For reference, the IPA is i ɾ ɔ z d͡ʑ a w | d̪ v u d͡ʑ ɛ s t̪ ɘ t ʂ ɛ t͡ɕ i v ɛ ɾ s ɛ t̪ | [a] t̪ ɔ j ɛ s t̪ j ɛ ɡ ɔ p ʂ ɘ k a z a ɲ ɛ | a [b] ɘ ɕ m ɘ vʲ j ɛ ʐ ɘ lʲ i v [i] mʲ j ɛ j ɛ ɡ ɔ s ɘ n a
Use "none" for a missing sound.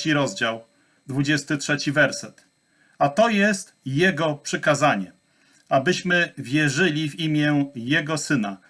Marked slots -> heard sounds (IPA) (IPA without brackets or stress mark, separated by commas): a, b, i